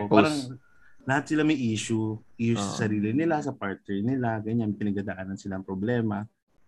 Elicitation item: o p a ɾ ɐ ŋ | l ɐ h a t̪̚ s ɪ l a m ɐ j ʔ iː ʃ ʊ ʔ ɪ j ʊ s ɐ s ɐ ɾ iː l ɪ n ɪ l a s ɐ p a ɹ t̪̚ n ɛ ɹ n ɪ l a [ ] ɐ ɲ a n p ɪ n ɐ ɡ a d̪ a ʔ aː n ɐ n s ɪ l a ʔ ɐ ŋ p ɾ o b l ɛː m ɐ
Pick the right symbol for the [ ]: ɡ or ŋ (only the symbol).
ɡ